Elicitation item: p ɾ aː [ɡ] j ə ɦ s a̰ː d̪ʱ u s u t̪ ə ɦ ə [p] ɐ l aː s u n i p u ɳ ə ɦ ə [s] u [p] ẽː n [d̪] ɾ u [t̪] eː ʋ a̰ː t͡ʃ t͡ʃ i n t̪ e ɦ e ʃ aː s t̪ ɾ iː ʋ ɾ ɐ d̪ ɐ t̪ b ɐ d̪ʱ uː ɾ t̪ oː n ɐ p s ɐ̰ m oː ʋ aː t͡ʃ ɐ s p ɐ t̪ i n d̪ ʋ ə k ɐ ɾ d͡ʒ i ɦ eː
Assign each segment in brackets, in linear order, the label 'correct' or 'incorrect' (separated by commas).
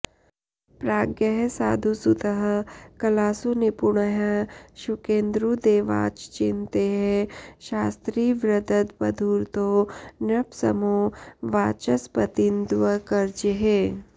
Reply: correct, incorrect, incorrect, incorrect, correct, incorrect